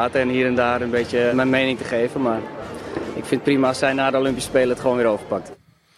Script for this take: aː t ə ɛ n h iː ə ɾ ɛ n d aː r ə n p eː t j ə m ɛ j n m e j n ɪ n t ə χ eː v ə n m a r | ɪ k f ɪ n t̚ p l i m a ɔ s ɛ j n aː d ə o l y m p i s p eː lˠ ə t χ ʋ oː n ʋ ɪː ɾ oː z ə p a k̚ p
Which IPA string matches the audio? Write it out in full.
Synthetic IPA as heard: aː t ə ɛ n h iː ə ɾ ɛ n d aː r ə n b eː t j ə m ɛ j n m e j n ɪ ŋ t ə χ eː v ə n m a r | ɪ k f ɪ n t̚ p r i m a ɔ s ɛ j n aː d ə o l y m p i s p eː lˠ ə t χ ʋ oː n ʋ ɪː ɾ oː v ə p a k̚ t